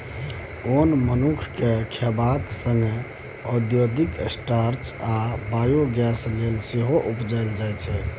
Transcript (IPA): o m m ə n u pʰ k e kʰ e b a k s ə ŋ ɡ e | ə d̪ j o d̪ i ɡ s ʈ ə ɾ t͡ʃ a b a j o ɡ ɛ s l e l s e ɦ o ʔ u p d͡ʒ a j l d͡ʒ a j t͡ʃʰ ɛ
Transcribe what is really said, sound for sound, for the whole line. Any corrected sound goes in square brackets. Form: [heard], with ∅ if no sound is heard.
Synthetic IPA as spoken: o [n] m ə n u [kʰ] k e kʰ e b a k s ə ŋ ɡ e | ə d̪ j o d̪ i [k] s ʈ [a] ɾ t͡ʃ a b a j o ɡ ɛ s l e l s e ɦ o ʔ u p d͡ʒ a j l d͡ʒ a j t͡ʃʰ ɛ